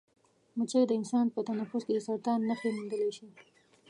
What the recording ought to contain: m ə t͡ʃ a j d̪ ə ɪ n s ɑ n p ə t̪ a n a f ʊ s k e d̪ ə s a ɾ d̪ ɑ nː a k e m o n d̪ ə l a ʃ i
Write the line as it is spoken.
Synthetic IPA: m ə t͡ʃ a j d̪ ə ɪ n s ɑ n p ə t̪ a n a f ʊ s k e d̪ ə s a ɾ t̪ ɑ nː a x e m u n d̪ ə l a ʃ i